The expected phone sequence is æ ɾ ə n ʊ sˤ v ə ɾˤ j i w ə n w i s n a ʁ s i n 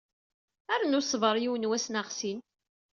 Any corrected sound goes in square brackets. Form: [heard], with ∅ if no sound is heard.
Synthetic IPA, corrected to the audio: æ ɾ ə n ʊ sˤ v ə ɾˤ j i w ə n w [æ] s n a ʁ s i n